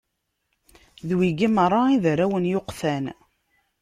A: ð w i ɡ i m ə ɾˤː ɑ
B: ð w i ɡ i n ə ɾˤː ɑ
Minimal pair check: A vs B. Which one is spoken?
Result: A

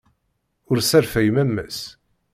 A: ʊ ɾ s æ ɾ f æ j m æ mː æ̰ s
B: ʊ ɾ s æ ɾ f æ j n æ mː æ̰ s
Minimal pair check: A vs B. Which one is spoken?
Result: A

